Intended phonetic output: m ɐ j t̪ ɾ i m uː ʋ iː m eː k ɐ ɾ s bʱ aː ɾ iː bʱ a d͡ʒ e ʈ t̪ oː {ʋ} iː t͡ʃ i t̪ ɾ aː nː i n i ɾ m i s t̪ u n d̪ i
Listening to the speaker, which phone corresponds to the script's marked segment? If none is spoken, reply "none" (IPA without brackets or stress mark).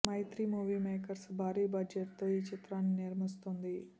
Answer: none